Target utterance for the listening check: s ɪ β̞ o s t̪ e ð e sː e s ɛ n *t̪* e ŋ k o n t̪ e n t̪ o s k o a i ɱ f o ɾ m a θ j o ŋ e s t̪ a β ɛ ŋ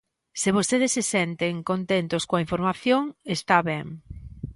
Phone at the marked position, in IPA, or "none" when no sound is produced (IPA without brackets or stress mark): t̪